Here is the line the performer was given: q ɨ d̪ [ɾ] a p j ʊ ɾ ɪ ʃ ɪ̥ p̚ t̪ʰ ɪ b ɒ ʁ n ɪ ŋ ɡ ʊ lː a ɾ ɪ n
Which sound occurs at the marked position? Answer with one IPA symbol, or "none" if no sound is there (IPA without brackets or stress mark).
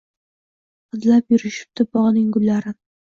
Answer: l